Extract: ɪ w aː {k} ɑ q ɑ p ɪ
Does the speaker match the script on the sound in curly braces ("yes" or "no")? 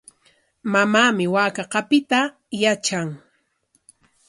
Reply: yes